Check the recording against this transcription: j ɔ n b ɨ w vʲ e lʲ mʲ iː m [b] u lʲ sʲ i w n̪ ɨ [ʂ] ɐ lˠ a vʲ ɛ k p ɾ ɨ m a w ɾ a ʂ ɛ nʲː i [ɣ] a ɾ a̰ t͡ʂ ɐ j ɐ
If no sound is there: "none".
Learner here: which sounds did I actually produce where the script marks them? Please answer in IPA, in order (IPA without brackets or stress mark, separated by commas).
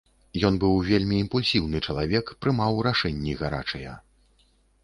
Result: p, t͡ʂ, ɣ